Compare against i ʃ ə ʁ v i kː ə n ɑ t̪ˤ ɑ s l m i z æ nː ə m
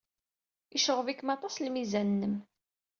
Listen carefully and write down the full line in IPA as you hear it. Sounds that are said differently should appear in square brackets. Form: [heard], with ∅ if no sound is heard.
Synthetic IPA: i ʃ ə ʁ v i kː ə [m] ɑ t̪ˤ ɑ s l m i z æ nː ə m